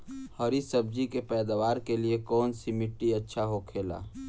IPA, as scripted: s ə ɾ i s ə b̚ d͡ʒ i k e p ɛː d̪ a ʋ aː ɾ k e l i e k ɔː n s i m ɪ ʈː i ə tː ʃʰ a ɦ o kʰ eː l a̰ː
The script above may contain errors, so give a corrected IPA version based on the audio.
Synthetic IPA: h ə ɾ i s ə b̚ d͡ʒ i k e p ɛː d̪ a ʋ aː ɾ k e l i e k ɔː n s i m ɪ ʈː i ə tː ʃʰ a ɦ o kʰ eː l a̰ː